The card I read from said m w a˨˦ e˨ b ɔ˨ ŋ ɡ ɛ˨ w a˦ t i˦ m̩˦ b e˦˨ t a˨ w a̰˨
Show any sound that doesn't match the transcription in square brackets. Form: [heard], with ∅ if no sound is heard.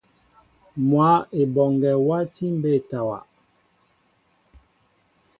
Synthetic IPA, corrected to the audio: m w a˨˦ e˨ b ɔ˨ ŋ ɡ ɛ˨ w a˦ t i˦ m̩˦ b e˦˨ t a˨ w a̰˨